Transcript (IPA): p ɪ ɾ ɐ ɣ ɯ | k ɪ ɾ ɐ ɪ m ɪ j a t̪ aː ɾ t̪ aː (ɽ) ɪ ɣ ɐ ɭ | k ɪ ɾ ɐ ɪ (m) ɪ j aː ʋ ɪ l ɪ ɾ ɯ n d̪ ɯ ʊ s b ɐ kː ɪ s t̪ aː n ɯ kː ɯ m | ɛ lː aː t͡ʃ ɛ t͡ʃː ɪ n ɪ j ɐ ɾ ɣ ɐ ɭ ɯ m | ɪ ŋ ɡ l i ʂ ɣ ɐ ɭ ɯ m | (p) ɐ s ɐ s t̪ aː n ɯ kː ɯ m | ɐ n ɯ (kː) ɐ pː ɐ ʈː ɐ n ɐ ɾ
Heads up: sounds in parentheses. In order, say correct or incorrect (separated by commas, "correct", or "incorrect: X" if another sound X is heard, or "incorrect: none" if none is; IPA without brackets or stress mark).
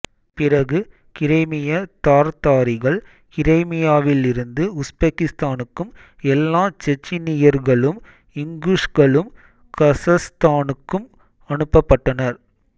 incorrect: ɾ, correct, incorrect: k, incorrect: pː